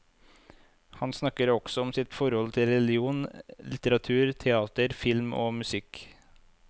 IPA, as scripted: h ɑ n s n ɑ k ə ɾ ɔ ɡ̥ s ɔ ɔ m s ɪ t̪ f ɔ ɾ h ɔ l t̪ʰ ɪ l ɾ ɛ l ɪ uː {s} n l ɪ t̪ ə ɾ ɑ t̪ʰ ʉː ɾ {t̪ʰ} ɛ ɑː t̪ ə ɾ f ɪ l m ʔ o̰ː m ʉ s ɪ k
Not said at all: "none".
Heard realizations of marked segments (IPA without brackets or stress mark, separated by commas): none, t̪ʰ